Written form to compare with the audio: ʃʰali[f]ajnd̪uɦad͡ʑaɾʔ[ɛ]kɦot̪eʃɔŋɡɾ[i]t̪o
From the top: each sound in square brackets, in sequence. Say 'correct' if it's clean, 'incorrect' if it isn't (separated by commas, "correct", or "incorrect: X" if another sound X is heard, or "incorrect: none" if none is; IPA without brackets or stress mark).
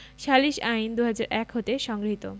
incorrect: ʃ, correct, correct